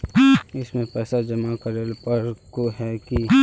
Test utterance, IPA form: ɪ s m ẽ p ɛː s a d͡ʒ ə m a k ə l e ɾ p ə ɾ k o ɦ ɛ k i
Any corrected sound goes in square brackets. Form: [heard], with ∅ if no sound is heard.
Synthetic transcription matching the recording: ɪ s m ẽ p ɛː s a d͡ʒ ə m a k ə [ɾ] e [l] p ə ɾ k o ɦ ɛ k i